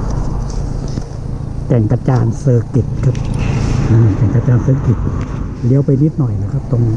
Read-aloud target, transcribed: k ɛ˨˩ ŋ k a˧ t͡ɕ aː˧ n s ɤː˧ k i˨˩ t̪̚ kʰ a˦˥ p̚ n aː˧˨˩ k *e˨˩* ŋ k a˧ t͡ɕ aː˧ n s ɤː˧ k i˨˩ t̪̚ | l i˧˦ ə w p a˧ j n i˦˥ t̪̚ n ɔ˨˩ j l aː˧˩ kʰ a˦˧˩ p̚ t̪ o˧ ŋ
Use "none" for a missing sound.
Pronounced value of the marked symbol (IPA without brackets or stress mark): ɛ˨˩